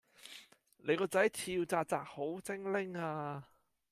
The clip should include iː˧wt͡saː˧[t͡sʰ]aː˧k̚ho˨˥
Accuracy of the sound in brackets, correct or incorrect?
incorrect